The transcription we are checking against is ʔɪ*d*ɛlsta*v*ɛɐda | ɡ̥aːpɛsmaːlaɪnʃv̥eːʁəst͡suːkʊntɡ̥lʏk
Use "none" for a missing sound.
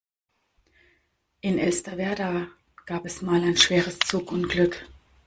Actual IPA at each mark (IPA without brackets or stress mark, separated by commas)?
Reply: n, v